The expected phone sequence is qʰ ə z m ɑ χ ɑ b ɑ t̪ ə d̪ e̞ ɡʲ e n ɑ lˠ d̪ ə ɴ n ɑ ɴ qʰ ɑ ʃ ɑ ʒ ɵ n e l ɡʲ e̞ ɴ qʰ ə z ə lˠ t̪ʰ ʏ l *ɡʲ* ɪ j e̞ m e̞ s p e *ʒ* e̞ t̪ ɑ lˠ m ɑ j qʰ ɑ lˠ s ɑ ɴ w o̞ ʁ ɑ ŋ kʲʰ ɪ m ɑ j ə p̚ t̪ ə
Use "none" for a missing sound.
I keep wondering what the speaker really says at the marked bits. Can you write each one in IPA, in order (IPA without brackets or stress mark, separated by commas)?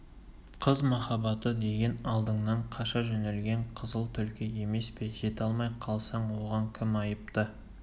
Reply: kʲ, ʒ